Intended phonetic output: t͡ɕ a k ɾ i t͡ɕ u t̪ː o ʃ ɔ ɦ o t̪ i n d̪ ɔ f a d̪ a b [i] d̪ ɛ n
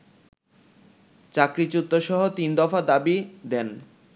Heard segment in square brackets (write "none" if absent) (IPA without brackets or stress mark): i